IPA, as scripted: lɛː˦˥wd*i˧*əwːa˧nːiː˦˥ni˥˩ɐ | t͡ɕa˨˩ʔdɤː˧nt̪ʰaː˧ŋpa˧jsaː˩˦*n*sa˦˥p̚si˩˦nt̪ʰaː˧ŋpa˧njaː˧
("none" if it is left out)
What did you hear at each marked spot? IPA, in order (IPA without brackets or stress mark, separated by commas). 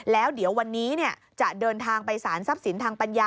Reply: i˩˦, n